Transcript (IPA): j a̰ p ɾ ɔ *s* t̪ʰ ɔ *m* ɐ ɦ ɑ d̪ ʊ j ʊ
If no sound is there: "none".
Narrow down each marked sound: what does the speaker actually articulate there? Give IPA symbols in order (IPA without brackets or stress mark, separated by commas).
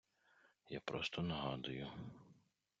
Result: s, n